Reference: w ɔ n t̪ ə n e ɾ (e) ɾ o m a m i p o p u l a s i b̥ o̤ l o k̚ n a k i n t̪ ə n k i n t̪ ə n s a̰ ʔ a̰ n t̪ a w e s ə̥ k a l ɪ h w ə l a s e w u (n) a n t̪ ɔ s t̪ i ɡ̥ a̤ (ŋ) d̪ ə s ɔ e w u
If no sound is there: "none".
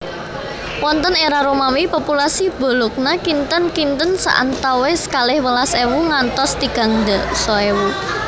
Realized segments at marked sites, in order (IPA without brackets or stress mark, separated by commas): a, ŋ, ŋ